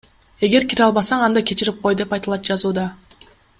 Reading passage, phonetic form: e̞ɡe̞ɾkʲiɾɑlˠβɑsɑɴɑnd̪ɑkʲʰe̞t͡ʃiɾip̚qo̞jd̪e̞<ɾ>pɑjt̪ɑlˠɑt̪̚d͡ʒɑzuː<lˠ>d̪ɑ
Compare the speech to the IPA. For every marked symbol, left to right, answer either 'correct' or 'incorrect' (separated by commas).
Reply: incorrect, incorrect